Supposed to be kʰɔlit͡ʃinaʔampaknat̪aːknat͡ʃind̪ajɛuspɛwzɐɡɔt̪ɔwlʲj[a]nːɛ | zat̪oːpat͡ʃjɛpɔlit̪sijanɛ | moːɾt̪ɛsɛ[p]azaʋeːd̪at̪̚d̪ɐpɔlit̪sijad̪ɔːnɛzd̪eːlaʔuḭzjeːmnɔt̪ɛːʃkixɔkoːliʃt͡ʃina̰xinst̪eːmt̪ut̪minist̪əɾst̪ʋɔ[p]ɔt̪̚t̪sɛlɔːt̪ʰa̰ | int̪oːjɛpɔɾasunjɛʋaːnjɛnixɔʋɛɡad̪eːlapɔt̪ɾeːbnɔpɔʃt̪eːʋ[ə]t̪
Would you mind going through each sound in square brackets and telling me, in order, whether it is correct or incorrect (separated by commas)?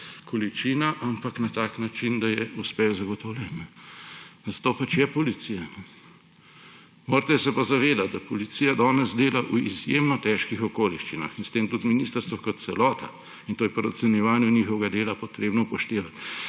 incorrect, correct, incorrect, incorrect